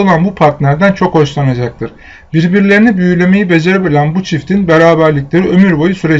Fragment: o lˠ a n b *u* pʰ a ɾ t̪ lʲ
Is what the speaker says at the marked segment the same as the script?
yes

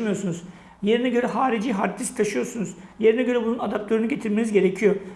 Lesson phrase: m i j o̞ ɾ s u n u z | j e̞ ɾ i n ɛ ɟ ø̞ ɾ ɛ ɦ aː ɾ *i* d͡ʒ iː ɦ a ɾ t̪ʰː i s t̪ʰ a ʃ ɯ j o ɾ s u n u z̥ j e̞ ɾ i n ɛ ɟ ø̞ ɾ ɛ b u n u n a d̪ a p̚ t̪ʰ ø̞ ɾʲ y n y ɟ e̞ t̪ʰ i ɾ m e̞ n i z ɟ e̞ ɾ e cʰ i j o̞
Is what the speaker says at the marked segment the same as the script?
yes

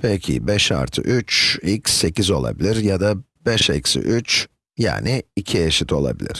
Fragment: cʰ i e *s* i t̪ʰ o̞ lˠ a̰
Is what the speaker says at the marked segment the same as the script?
no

